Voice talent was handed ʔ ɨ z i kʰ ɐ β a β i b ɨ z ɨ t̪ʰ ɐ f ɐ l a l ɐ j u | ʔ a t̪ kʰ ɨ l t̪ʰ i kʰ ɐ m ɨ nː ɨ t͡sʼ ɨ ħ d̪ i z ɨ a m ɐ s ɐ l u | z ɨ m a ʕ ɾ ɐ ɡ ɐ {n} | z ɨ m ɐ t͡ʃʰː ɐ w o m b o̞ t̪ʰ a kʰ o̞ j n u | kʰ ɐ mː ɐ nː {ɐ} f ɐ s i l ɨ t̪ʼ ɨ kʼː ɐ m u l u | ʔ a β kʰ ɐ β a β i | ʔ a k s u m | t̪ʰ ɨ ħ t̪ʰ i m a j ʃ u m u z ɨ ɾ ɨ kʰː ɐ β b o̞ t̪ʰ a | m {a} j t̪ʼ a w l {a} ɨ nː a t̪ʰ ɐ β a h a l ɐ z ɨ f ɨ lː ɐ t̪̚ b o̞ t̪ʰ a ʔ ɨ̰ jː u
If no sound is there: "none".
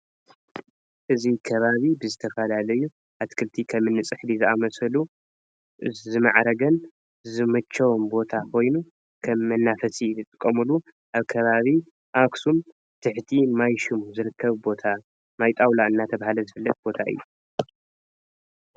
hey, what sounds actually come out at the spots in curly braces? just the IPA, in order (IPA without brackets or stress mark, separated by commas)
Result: n, a, a, a